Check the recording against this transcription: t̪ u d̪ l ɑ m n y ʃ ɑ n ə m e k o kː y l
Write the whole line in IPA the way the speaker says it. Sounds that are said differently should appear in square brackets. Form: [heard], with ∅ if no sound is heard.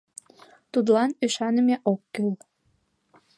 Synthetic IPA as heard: t̪ u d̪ l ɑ [∅] n y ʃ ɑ n ə m e [ʔ] o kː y l